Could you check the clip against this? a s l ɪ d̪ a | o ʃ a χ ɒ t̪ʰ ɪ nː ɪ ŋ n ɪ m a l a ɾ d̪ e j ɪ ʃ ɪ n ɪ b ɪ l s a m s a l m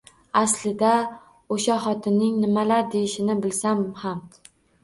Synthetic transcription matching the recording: a s l ɪ d̪ a | o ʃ a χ ɒ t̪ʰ ɪ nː ɪ ŋ n ɪ m a l a ɾ d̪ e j ɪ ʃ ɪ n ɪ b ɪ l s a m h a m